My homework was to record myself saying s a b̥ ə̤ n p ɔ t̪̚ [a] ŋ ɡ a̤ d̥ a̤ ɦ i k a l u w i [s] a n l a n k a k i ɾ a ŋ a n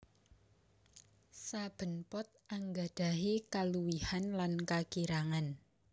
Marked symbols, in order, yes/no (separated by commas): yes, no